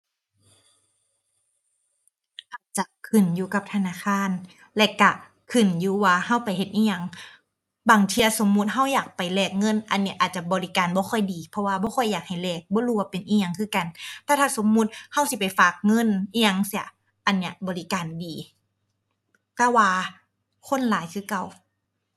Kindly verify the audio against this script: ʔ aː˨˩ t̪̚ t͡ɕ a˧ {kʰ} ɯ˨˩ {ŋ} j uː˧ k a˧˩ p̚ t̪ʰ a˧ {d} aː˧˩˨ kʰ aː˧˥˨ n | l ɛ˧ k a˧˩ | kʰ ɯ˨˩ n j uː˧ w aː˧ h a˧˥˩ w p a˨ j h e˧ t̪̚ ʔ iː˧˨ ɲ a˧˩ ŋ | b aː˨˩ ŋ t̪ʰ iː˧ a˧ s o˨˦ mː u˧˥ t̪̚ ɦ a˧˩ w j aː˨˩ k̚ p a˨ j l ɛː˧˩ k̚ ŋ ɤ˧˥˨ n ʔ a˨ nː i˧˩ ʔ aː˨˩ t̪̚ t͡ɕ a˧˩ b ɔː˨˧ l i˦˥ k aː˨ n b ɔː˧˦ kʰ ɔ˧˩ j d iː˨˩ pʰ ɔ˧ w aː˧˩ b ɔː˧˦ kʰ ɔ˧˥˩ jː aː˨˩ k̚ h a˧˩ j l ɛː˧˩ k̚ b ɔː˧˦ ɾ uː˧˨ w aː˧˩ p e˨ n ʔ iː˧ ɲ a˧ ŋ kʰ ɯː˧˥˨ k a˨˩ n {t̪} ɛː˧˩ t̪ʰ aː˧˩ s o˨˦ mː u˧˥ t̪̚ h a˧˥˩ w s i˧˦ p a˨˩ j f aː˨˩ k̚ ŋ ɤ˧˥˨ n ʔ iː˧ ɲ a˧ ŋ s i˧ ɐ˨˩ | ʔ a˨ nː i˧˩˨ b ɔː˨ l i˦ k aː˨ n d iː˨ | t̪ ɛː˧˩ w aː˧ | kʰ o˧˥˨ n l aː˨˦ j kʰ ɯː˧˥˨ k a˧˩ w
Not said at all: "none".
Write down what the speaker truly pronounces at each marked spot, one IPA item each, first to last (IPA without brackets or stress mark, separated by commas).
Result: kʰ, n, n, t̪